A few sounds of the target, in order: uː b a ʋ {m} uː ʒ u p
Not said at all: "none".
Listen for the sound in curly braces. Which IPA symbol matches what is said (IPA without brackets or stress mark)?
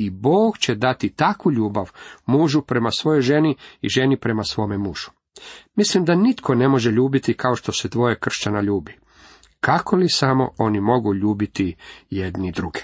m